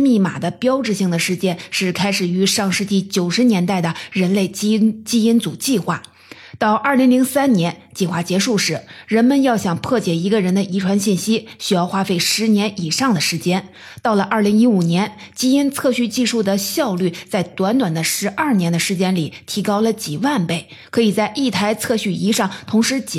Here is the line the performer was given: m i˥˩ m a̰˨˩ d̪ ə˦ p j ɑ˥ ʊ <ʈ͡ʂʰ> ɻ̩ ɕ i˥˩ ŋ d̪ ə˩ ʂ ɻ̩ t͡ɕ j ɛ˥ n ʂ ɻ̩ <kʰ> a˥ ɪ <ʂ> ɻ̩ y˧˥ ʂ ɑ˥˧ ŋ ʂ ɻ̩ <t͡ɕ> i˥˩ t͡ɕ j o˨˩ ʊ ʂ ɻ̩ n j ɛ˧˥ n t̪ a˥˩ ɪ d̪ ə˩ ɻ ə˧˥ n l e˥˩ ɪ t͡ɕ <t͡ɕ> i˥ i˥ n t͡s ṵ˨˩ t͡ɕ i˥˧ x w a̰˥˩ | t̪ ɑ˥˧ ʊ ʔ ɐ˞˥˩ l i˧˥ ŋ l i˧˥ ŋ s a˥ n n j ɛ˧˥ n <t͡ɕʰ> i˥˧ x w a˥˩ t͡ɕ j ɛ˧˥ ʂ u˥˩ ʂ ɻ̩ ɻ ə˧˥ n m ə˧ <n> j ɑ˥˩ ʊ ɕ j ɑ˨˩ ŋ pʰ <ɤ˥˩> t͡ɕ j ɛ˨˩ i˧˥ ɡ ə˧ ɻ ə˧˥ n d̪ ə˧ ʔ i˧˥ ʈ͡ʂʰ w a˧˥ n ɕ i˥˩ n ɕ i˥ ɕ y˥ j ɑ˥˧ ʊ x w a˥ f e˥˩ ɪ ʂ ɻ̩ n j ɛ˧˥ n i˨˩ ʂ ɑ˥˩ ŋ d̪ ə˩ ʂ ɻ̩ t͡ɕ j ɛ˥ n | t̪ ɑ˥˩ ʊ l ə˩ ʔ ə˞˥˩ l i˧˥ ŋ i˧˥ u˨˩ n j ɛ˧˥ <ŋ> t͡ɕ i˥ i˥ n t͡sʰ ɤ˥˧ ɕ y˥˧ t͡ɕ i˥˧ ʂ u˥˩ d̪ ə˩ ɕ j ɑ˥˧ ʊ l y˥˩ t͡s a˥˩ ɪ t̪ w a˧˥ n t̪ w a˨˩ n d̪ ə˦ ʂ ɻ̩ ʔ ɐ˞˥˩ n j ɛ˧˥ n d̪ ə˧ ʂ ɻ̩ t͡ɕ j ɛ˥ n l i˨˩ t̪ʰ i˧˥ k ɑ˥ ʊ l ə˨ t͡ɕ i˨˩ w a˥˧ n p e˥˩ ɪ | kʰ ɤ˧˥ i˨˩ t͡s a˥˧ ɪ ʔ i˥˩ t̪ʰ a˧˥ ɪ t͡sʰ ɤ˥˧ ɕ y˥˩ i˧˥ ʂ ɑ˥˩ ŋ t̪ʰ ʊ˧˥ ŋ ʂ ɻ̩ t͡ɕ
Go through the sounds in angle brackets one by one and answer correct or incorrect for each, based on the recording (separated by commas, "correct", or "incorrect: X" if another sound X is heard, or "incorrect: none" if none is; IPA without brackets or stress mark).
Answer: incorrect: ʈ͡ʂ, correct, correct, correct, correct, incorrect: t͡ɕ, correct, correct, incorrect: n